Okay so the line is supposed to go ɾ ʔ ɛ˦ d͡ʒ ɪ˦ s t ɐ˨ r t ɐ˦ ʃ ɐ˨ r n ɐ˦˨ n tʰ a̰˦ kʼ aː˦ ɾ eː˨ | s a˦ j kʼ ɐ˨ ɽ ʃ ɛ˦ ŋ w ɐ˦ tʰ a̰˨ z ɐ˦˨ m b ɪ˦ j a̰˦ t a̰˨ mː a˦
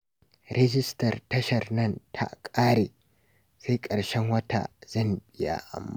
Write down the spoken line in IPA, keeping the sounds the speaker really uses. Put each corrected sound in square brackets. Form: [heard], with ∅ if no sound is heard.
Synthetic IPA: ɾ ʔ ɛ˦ d͡ʒ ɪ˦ s t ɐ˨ r t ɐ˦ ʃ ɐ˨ r n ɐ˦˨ n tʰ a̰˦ kʼ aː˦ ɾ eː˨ | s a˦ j kʼ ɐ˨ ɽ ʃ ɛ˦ ŋ w ɐ˦ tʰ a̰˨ z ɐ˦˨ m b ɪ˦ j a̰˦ [ʔ] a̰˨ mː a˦

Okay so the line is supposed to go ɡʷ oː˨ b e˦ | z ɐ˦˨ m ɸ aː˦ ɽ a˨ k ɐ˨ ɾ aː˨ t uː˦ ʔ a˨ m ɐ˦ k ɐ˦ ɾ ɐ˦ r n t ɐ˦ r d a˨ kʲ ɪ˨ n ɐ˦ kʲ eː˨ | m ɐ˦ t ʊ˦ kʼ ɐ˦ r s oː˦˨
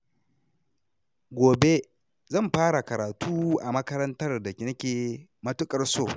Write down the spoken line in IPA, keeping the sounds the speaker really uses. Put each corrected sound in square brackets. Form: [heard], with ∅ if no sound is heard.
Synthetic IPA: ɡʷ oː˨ b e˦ | z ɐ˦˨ m ɸ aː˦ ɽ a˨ k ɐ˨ ɾ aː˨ t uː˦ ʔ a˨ m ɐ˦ k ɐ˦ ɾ ɐ˦ [∅] n t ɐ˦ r d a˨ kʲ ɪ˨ n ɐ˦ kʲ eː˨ | m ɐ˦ t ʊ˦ kʼ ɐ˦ r s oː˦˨

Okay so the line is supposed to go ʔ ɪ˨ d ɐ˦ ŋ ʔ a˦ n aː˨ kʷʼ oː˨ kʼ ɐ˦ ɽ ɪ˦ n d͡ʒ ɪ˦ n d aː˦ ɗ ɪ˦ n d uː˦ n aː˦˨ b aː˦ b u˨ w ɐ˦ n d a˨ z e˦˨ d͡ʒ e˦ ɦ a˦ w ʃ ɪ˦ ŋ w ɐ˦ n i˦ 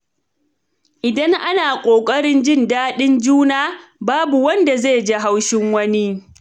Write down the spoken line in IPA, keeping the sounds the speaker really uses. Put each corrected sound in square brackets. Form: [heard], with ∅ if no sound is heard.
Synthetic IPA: ʔ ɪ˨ d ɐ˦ ŋ ʔ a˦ n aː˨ kʷʼ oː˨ kʼ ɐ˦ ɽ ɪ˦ n d͡ʒ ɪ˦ n d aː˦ ɗ ɪ˦ n [d͡ʒ] uː˦ n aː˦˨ b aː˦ b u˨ w ɐ˦ n d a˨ z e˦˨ d͡ʒ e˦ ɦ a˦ w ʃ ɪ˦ ŋ w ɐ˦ n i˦

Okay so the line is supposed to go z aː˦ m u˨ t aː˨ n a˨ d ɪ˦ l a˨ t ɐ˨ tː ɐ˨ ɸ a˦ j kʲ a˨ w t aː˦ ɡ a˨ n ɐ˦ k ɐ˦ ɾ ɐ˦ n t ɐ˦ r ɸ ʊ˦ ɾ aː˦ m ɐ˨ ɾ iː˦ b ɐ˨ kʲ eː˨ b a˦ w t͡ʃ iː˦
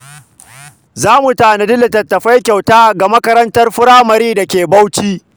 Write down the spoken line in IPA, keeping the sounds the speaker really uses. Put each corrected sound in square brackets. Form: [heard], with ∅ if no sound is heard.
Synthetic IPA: z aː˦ m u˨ t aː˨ n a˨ d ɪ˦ l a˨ t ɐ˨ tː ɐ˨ ɸ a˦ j kʲ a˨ w t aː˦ ɡ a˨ [m] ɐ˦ k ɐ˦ ɾ ɐ˦ n t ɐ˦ r ɸ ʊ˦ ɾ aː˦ m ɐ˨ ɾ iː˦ [d] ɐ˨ kʲ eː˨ b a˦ w t͡ʃ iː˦

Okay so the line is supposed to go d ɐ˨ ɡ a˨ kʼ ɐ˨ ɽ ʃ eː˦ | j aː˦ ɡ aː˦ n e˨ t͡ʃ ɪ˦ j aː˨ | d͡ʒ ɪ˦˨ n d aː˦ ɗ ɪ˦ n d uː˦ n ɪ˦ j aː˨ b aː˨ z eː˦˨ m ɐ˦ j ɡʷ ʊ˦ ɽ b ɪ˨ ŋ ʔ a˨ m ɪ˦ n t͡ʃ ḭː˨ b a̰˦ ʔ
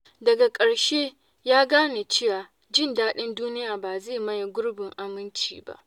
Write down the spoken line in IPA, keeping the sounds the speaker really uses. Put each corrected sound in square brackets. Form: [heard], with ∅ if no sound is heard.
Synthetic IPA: d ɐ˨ ɡ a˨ kʼ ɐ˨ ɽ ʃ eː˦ | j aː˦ ɡ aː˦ n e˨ t͡ʃ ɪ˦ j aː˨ | d͡ʒ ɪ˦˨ n d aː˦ ɗ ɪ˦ n d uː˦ n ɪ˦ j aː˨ b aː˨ z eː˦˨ m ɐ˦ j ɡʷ ʊ˦ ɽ b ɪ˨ ŋ ʔ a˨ m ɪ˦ n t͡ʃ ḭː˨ b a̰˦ ʔ

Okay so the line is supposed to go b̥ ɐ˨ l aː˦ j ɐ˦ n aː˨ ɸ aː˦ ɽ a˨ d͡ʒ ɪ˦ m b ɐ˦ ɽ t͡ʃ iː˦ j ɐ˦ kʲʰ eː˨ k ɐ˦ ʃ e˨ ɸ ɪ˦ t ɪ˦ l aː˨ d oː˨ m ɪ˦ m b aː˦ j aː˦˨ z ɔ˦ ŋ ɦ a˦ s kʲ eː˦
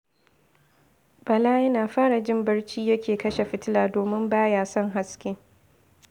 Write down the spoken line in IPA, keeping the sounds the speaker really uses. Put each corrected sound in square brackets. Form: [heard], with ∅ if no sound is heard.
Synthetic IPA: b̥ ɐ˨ l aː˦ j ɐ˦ n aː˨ ɸ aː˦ ɽ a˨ d͡ʒ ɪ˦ m b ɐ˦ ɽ t͡ʃ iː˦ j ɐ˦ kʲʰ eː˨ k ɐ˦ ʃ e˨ ɸ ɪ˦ t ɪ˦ l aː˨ d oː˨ m ɪ˦ m b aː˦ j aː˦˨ [s] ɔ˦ ŋ ɦ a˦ s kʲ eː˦

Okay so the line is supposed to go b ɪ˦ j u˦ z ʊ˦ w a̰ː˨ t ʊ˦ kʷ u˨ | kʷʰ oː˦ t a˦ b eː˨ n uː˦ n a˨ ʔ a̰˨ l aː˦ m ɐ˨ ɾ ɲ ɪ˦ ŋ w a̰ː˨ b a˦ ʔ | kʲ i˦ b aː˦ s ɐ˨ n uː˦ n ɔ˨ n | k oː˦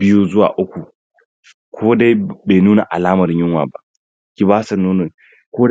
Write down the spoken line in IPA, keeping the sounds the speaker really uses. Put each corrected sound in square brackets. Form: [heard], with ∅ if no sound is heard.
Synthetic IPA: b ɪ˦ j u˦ z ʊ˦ w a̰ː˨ [ʔ] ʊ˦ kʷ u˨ | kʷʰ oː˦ [d] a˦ b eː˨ n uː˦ n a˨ ʔ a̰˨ l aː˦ m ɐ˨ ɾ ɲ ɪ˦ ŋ w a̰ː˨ b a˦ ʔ | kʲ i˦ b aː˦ s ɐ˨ n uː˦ n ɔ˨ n | k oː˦

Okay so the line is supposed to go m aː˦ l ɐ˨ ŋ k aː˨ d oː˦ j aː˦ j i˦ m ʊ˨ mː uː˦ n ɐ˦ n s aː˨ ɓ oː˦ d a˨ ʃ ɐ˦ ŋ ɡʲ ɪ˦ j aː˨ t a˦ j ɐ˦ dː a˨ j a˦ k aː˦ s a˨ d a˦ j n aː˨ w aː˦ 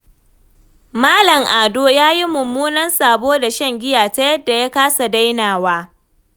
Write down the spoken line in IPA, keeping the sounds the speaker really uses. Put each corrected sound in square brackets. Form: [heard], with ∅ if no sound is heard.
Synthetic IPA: m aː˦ l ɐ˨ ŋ [ʔ] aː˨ d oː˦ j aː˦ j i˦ m ʊ˨ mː uː˦ n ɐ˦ n s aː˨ [b] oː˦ d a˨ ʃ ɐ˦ ŋ ɡʲ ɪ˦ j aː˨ t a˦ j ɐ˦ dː a˨ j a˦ k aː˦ s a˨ d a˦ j n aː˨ w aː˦

